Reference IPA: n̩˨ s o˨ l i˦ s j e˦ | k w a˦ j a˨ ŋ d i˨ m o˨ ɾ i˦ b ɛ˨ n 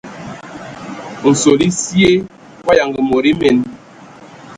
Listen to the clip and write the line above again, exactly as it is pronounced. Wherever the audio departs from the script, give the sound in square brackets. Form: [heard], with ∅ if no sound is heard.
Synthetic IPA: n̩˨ s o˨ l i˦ s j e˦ | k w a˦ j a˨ ŋ [ɡ] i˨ m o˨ ɾ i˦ [m] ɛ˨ n